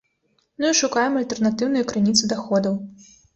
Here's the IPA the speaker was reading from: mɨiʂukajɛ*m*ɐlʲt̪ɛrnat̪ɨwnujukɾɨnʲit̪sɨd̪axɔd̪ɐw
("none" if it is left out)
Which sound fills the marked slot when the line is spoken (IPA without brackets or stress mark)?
m